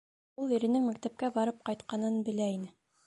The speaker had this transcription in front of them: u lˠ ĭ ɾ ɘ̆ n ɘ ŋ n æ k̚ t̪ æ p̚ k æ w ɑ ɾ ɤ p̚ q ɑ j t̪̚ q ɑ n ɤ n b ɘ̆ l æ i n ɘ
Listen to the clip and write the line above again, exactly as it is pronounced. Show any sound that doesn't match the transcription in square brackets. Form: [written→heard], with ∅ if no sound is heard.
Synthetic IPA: u lˠ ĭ ɾ ɘ̆ n ɘ ŋ [n→m] æ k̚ t̪ æ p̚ k æ [w→b] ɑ ɾ ɤ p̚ q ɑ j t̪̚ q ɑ n ɤ n b ɘ̆ l æ i n ɘ